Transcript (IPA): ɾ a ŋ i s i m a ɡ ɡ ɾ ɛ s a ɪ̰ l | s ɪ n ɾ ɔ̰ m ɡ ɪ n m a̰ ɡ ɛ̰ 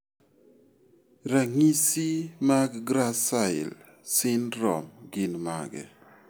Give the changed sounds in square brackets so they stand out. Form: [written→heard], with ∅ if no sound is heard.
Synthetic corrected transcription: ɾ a ŋ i s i m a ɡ ɡ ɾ [ɛ→a] s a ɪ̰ l | s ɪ n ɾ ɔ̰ m ɡ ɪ n m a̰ ɡ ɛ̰